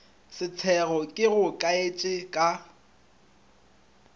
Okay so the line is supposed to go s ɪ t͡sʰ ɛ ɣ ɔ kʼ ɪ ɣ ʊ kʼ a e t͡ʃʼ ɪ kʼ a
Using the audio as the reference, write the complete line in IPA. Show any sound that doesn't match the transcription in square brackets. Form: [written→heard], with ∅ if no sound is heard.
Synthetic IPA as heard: s ɪ t͡sʰ ɛ ɣ ɔ kʼ ɪ ɣ ʊ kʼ a e t͡ʃʼ ɪ kʼ a